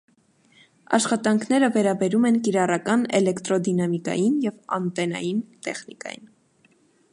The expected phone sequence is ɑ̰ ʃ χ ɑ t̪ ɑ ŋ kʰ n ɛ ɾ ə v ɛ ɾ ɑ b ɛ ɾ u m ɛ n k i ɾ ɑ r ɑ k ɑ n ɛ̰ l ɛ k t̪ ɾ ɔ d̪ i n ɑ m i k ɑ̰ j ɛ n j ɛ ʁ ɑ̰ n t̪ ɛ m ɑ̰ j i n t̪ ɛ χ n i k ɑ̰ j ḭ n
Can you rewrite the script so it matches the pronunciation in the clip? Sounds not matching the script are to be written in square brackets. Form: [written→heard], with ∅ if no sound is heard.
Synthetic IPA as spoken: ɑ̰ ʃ χ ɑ t̪ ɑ ŋ kʰ n ɛ ɾ ə v ɛ ɾ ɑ b ɛ ɾ u m ɛ n k i ɾ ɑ r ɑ k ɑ n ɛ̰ l ɛ k t̪ ɾ ɔ d̪ i n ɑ m i k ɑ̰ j [ɛ→i] n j ɛ [ʁ→v] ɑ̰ n t̪ ɛ [m→n] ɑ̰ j i n t̪ ɛ χ n i k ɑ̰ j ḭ n